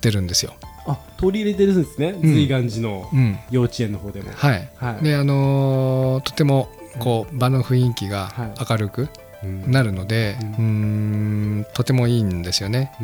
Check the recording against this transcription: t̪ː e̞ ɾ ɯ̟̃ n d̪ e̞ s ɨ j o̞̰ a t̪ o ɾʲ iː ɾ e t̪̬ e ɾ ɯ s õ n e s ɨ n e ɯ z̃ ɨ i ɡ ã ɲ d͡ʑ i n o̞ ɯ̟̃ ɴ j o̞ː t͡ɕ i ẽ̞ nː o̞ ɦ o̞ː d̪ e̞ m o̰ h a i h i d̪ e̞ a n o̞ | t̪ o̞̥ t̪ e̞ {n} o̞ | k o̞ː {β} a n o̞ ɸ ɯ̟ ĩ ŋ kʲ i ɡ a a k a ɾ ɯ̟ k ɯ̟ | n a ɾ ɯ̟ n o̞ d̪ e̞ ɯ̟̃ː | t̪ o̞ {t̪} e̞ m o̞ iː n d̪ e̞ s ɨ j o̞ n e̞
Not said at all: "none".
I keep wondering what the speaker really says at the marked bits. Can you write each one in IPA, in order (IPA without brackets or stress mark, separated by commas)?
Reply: m, b, t̪